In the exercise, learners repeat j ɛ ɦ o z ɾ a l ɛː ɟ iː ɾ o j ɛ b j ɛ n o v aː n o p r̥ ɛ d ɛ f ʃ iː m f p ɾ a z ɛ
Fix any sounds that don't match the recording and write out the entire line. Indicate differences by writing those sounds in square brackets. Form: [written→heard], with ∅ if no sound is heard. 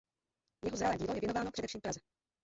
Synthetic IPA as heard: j ɛ ɦ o z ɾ a l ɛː ɟ iː [ɾ→l] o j ɛ [b→v] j ɛ n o v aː n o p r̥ ɛ d ɛ f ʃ iː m f p ɾ a z ɛ